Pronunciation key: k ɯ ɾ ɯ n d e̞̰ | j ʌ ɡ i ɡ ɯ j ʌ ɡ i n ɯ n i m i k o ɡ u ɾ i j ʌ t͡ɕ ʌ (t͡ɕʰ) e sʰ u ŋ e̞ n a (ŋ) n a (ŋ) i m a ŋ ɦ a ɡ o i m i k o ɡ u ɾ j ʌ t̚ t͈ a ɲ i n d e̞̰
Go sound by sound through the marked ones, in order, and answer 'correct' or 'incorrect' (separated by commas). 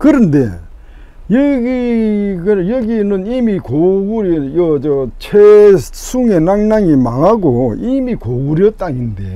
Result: correct, correct, correct